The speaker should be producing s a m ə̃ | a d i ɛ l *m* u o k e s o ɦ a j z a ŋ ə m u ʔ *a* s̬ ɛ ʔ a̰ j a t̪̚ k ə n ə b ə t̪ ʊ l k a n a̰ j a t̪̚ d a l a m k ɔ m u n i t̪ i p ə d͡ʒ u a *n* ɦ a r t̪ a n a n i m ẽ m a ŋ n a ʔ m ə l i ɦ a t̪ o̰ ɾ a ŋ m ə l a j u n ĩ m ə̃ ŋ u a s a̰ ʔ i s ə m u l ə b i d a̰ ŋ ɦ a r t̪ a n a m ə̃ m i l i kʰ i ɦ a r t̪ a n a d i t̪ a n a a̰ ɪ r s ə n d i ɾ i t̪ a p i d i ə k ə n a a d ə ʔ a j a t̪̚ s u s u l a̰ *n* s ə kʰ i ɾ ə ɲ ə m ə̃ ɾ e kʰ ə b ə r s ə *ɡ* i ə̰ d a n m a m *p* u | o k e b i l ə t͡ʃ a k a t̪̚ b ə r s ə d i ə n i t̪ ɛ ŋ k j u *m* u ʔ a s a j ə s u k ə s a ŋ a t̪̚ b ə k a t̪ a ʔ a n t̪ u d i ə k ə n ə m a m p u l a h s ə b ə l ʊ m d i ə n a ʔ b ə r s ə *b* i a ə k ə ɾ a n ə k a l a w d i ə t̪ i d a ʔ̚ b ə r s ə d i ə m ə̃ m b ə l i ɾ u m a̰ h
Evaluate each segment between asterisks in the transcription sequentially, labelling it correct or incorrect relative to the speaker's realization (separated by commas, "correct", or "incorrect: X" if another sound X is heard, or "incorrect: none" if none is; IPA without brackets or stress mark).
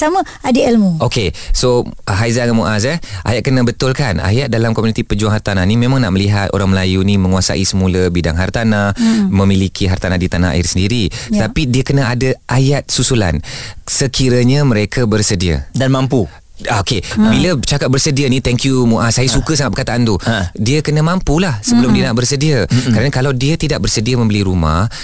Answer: correct, correct, incorrect: ŋ, correct, incorrect: d, correct, correct, incorrect: d